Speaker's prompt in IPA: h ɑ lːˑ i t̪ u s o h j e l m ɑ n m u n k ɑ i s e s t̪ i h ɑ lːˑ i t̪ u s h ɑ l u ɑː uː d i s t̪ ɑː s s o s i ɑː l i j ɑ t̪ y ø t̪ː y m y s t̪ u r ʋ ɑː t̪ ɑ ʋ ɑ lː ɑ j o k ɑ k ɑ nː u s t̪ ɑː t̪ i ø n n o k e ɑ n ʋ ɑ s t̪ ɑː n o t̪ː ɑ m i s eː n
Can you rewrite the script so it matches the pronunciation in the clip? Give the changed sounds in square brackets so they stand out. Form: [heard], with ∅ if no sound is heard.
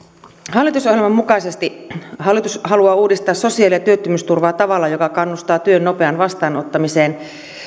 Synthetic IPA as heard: h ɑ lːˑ i t̪ u s o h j e l m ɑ [m] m u [∅] k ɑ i s e s t̪ i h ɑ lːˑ i t̪ u s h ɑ l u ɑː uː d i s t̪ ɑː s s o s i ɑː l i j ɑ t̪ y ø t̪ː y m y s t̪ u r ʋ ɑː t̪ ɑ ʋ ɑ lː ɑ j o k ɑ k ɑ nː u s t̪ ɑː t̪ [y] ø n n o [p] e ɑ n ʋ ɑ s t̪ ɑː n o t̪ː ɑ m i s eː n